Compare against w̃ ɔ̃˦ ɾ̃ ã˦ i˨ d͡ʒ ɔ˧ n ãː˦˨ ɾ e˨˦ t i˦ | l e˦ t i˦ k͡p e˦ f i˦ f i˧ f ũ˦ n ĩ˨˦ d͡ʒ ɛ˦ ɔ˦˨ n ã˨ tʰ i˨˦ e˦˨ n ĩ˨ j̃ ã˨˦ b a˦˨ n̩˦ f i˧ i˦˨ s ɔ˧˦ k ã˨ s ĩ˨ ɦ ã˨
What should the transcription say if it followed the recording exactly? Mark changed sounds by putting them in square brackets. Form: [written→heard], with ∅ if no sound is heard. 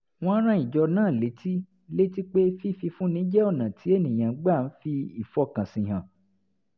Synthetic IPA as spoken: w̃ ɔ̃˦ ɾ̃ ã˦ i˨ d͡ʒ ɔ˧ n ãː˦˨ [ɾ→l] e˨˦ t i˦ | l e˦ t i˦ k͡p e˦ f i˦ f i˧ f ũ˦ n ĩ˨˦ d͡ʒ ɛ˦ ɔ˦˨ n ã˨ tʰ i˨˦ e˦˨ n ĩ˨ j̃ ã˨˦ [b→ɡ͡b] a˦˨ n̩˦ f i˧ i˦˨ [s→f] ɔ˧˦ k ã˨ s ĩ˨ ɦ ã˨